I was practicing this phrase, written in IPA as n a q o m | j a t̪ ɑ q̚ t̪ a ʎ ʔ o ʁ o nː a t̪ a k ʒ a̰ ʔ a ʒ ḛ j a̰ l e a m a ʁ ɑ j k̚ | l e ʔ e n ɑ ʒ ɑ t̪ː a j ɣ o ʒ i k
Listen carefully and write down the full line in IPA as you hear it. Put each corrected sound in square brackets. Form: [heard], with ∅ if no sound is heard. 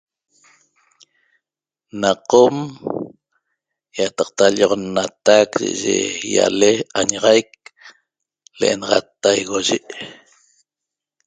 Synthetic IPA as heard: n a q o m | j a t̪ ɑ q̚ t̪ a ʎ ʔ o ʁ o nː a t̪ a k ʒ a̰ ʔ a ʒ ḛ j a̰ l e a [ɲ] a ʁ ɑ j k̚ | l e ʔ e n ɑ [ʁ] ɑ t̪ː a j ɣ o ʒ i [ʔ]